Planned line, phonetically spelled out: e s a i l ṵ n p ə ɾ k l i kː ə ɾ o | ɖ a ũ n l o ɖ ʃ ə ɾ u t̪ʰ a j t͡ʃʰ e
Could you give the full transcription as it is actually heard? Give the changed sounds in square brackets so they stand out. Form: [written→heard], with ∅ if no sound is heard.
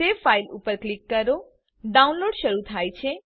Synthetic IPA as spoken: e [s→f] a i l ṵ [n→∅] p ə ɾ k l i kː ə ɾ o | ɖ a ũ n l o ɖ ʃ ə ɾ u t̪ʰ a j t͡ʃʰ e